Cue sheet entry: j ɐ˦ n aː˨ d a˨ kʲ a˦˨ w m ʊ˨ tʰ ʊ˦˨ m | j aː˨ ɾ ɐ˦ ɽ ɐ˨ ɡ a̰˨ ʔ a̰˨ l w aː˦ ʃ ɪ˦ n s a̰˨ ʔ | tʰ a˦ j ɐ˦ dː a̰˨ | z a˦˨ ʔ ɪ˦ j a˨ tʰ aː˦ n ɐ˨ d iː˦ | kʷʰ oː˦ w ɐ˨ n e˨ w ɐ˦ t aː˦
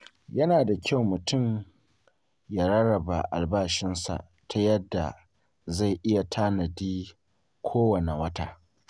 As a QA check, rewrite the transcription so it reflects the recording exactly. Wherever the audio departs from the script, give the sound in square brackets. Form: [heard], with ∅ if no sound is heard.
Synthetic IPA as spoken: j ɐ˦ n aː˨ d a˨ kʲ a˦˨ w m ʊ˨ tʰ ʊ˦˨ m | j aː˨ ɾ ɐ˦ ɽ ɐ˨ [b] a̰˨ ʔ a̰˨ l [b] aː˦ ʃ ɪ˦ n s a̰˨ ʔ | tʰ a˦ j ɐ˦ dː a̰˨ | z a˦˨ ʔ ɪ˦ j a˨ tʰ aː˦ n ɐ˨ d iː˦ | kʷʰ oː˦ w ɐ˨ n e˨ w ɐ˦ t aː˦